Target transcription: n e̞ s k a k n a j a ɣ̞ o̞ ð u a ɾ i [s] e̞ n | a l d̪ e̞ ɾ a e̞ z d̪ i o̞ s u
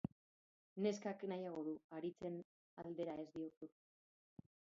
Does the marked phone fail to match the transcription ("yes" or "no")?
yes